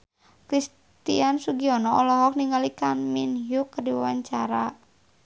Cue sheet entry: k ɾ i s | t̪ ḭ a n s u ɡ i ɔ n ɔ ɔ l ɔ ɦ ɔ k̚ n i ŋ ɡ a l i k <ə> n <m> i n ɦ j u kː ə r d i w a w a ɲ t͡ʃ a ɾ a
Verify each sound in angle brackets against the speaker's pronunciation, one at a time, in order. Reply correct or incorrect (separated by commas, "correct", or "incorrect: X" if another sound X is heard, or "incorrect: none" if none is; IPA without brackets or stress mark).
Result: incorrect: a, correct